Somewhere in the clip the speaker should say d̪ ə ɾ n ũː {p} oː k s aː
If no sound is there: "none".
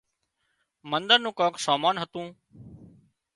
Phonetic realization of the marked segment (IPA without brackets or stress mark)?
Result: k